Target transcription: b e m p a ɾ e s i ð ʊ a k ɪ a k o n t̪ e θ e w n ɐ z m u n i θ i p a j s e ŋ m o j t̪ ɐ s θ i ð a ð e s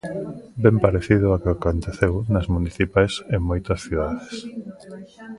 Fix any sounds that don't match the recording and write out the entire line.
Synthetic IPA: b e m p a ɾ e θ i ð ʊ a k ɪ a k o n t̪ e θ e w n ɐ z m u n i θ i p a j s e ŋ m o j t̪ ɐ s θ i ð a ð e s